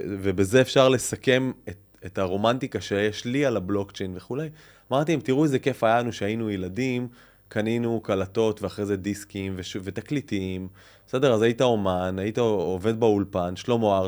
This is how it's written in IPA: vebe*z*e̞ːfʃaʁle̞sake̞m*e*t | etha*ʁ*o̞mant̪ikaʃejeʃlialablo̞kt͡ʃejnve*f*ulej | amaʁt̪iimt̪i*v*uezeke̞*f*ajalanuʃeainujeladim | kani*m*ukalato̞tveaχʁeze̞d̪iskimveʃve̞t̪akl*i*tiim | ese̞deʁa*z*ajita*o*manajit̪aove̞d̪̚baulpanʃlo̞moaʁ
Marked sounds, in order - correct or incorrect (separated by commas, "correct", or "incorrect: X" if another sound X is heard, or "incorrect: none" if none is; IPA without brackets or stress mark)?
correct, correct, correct, incorrect: χ, incorrect: ʁ, correct, incorrect: n, correct, correct, correct